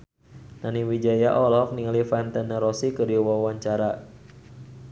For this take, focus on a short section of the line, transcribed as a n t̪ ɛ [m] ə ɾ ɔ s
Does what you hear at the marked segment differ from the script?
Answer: yes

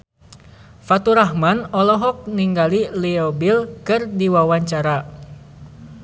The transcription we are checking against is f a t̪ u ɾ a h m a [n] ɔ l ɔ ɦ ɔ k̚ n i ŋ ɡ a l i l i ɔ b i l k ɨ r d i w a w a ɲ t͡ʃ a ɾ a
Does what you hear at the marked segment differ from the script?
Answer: no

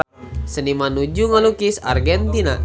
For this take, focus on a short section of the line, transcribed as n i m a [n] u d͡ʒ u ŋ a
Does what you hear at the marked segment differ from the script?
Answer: no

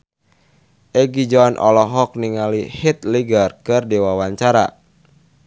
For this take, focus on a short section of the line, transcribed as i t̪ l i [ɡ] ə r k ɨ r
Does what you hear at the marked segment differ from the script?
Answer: no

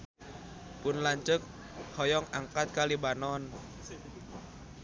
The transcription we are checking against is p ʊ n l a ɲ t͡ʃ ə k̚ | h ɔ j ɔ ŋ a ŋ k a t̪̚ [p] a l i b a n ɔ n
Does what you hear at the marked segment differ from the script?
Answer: yes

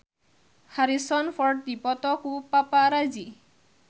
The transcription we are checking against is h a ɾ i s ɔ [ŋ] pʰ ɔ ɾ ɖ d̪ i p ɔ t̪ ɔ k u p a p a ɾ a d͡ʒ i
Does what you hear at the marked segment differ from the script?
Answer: yes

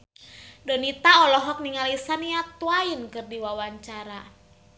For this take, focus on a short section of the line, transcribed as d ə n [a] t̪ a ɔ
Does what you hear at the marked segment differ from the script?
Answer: yes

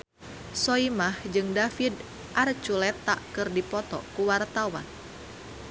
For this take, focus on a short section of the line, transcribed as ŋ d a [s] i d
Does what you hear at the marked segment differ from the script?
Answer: yes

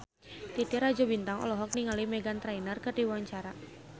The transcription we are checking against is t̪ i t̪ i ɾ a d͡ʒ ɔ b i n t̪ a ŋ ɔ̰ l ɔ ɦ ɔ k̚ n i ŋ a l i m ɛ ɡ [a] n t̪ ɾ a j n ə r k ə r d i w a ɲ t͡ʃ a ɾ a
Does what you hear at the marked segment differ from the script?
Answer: no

